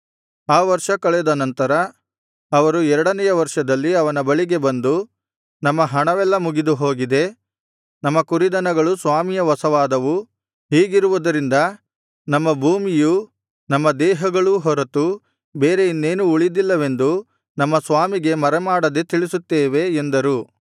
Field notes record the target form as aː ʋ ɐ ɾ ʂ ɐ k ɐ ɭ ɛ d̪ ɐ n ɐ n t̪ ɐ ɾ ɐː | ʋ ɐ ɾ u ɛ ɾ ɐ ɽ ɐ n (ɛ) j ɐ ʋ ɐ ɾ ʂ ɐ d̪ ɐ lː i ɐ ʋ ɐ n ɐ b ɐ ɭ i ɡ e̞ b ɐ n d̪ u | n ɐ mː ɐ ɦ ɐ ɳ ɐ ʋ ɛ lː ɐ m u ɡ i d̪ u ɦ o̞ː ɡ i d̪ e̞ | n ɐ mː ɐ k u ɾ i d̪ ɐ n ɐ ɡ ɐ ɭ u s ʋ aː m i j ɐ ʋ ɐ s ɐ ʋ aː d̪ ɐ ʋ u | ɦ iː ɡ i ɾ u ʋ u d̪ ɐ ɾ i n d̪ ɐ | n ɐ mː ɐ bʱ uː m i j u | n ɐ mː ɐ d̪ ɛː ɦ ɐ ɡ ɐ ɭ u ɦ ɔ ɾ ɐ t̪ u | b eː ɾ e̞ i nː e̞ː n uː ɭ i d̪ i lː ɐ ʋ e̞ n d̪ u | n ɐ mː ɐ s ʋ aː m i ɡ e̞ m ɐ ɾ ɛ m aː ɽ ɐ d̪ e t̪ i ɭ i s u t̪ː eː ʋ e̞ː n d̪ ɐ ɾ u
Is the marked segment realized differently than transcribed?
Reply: no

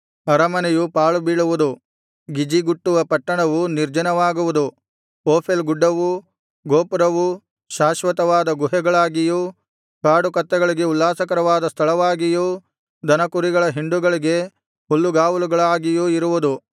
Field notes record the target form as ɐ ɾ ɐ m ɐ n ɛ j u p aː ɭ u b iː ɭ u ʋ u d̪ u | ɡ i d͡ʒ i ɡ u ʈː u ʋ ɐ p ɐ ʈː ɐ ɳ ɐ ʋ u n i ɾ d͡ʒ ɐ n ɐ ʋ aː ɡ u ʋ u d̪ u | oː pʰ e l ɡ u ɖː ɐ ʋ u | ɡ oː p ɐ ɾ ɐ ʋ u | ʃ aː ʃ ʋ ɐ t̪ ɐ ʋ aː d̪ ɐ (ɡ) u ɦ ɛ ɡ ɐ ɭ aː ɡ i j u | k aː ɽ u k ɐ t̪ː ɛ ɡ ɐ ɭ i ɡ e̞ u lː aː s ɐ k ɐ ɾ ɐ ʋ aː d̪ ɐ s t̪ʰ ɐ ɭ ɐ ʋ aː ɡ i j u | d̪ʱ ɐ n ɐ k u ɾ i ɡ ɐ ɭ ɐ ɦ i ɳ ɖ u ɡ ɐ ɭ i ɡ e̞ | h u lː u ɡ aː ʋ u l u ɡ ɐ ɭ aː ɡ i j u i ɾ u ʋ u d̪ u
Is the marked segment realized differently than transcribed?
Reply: no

